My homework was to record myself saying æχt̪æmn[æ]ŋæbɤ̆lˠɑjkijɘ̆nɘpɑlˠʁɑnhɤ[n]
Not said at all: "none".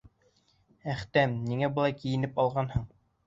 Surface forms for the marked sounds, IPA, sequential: i, ɴ

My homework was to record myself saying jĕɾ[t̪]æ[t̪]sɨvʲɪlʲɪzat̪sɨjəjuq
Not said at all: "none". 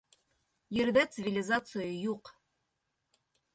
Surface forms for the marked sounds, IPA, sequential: d̪, t̪

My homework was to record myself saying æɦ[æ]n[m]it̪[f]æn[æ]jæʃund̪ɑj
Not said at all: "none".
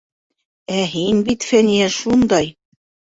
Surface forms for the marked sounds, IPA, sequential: i, b, f, i

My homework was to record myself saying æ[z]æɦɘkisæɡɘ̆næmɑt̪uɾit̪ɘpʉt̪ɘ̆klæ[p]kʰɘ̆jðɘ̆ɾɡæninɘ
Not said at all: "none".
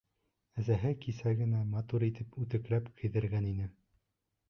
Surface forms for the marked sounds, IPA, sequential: z, p

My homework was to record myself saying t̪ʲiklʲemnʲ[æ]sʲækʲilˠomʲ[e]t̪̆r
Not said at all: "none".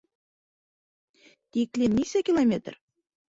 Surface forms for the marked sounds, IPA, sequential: i, e

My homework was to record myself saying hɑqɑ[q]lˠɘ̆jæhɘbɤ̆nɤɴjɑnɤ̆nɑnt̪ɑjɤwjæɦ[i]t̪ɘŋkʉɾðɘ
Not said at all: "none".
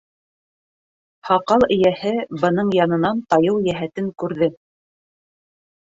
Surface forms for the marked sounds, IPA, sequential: none, æ

